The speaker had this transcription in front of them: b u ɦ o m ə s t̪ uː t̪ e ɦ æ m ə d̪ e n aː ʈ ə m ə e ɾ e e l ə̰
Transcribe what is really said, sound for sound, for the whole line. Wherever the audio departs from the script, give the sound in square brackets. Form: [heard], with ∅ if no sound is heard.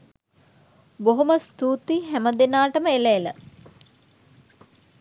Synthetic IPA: b [o] ɦ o m ə s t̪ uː t̪ [i] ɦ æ m ə d̪ e n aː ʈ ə m ə e [l] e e l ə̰